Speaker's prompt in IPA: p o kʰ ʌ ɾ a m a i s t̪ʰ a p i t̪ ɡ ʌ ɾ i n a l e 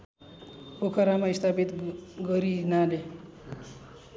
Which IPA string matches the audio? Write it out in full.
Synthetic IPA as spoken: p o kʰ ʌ ɾ a m a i s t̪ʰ a p i t̪ ɡ ʌ ɾ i n a l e